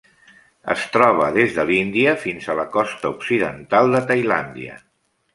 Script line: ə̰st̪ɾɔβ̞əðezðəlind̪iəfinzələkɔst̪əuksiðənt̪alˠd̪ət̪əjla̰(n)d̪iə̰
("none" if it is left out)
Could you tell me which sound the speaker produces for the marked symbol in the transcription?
n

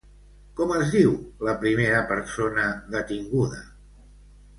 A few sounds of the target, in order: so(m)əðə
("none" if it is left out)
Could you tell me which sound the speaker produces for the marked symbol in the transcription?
n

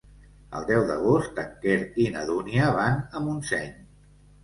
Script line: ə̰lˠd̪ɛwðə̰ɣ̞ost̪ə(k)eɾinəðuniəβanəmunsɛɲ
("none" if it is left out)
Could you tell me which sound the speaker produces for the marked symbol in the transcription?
k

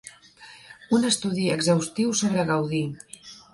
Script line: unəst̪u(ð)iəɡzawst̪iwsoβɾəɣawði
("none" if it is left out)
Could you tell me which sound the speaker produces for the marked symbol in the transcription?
ð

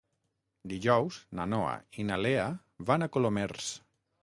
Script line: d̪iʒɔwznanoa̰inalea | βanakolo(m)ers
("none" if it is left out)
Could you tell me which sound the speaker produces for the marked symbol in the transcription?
m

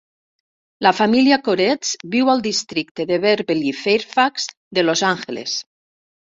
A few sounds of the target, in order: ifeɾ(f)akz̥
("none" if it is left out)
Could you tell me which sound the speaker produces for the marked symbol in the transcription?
f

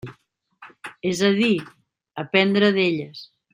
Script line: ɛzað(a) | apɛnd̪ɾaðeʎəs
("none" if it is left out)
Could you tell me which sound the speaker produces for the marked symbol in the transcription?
i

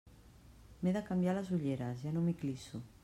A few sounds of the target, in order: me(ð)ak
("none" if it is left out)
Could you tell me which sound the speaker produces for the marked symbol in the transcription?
ð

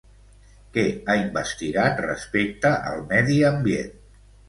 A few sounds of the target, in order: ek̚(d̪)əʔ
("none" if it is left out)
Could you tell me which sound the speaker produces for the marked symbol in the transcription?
t̪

